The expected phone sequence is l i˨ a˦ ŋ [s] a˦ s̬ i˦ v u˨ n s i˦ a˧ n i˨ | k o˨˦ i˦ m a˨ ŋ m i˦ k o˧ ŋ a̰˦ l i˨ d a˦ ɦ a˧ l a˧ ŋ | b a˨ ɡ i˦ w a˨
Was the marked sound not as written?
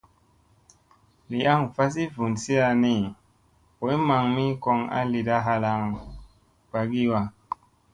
yes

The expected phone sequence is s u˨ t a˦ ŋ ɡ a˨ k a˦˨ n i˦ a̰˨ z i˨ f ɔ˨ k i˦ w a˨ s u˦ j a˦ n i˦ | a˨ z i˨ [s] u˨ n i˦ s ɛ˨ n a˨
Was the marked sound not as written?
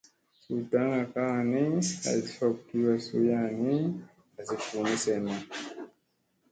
yes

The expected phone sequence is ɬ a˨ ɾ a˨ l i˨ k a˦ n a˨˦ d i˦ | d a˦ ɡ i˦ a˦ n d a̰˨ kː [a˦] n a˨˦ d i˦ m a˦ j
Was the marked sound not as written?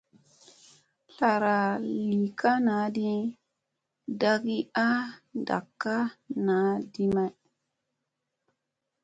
no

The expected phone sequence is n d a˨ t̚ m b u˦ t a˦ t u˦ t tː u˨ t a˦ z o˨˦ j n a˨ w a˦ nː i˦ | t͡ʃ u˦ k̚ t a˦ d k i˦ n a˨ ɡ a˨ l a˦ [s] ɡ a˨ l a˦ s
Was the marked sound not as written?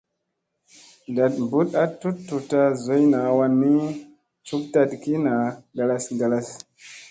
no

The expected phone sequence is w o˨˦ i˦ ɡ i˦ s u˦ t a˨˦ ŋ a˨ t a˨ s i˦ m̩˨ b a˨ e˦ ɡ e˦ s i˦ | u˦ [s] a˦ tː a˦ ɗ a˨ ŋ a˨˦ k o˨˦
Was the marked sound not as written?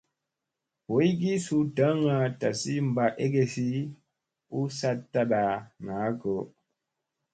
no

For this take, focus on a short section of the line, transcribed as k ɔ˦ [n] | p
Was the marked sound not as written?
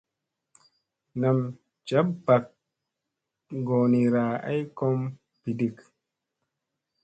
yes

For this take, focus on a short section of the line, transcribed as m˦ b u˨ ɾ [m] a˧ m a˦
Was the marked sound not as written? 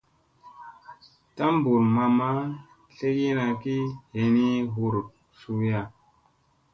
no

